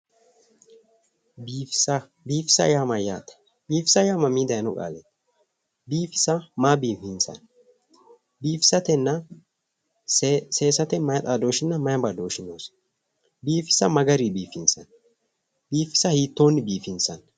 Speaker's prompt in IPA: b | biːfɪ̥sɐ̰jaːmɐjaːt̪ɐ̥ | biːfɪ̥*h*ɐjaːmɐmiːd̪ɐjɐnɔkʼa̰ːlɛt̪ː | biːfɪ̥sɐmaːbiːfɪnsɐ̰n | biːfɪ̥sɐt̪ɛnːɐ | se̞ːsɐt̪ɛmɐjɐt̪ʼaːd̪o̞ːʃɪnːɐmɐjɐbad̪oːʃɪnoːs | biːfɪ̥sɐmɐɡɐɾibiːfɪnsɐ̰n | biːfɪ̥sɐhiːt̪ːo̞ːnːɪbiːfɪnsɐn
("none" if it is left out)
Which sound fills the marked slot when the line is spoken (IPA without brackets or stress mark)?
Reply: s